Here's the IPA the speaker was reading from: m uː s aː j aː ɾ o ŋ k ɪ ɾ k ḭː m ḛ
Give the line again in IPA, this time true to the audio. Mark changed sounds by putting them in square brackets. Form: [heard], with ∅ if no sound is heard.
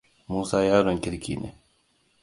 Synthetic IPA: m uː s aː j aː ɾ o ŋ k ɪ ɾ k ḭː [n] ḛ